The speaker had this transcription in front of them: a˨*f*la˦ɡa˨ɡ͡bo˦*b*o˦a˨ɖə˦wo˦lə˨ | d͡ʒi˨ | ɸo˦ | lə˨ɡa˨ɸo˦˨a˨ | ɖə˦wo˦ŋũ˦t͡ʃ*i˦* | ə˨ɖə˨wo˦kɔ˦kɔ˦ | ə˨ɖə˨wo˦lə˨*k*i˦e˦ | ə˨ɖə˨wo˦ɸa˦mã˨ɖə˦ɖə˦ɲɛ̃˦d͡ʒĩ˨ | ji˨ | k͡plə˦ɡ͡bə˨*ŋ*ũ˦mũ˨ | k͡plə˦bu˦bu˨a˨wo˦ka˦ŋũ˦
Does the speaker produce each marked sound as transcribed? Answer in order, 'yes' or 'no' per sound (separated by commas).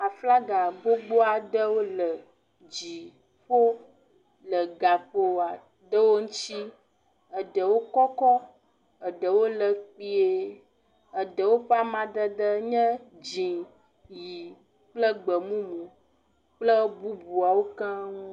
yes, no, yes, no, no